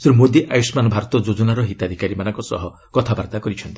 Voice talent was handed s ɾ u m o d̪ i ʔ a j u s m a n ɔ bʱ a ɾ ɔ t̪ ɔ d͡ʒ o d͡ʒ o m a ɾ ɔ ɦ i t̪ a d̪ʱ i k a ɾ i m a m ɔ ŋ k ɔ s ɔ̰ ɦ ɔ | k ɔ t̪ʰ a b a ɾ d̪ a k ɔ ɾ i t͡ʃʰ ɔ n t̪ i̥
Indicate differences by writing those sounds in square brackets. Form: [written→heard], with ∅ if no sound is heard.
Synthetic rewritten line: s ɾ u m o d̪ i ʔ a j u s m a n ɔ bʱ a ɾ ɔ t̪ ɔ d͡ʒ o d͡ʒ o [m→n] a ɾ ɔ ɦ i t̪ a d̪ʱ i k a ɾ i m a [m→n] ɔ ŋ k ɔ s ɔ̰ ɦ ɔ | k ɔ t̪ʰ a b a ɾ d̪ a k ɔ ɾ i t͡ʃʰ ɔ n t̪ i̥